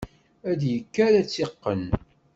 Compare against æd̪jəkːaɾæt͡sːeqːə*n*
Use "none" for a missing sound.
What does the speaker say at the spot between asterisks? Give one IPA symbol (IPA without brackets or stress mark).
n